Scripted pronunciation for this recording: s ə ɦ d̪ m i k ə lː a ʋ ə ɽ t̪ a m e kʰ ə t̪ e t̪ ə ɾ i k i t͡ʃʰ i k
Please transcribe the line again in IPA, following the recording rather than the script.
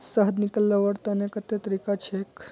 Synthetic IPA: s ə ɦ d̪ n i k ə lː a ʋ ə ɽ t̪ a n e k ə t̪ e t̪ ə ɾ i k a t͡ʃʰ e k